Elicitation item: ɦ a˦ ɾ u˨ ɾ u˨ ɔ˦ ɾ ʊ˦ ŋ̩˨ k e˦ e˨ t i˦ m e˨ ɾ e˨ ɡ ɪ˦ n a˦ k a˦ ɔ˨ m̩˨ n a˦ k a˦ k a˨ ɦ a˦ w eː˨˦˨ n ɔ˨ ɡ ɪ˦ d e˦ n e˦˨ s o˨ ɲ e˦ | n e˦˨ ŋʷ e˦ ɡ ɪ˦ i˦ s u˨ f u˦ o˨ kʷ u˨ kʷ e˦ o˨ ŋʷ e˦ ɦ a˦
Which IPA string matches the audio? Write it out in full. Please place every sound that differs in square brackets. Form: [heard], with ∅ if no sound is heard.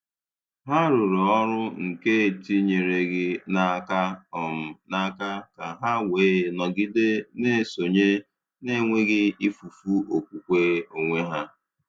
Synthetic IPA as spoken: ɦ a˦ ɾ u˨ ɾ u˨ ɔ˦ ɾ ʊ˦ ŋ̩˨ k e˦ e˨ t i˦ [ɲ] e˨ ɾ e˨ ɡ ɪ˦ n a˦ k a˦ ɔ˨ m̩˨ n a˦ k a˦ k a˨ ɦ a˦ w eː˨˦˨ n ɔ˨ ɡ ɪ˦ d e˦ n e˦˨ s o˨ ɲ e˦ | n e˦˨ ŋʷ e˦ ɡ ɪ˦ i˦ [f] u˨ f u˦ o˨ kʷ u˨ kʷ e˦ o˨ ŋʷ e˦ ɦ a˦